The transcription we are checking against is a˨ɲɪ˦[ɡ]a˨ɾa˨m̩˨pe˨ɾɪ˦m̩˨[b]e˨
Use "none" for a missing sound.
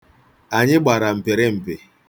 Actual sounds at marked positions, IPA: ɡ͡b, p

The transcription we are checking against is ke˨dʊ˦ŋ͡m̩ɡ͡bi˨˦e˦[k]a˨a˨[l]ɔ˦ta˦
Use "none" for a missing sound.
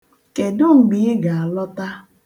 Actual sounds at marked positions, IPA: ɡ, l

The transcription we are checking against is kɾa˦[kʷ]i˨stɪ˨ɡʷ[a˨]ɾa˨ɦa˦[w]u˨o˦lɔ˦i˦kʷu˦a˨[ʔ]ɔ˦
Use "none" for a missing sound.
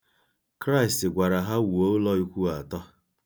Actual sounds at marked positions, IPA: none, a˨, w, t

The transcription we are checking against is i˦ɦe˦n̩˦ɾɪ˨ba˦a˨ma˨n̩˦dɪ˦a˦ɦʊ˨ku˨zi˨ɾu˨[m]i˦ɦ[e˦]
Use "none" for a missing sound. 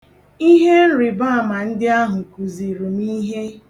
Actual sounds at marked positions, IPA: m, e˦

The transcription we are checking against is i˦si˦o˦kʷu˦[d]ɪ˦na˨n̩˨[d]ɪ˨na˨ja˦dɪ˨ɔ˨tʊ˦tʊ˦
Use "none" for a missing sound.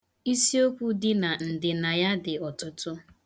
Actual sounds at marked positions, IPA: d, d

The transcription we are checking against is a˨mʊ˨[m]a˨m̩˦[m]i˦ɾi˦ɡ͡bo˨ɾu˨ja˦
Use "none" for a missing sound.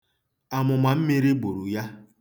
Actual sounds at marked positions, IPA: m, m

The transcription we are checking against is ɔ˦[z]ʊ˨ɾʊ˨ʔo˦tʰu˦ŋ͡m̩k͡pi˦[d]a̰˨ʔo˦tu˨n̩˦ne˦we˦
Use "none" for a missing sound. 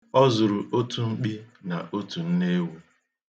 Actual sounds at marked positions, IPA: z, n

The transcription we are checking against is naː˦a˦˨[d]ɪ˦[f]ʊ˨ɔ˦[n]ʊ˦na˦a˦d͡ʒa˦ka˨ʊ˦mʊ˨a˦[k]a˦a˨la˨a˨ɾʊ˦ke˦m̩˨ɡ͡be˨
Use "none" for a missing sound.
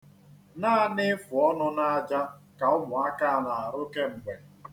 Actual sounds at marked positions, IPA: n, f, n, k

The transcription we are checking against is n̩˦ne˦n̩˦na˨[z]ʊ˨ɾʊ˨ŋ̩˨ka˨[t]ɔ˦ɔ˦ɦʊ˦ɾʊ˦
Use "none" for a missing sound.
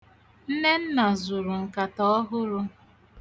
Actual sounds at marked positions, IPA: z, t

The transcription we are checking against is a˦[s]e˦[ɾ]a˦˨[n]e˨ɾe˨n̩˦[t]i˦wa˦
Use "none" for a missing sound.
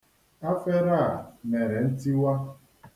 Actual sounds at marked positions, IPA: f, ɾ, m, t

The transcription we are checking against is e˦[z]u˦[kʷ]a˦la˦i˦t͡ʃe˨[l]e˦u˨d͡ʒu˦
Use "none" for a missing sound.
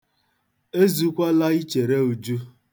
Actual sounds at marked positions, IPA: z, kʷ, ɾ

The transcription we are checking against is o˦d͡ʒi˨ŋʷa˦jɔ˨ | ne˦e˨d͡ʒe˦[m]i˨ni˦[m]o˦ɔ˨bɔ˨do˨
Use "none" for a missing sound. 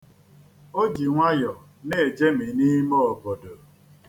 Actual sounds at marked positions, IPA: m, m

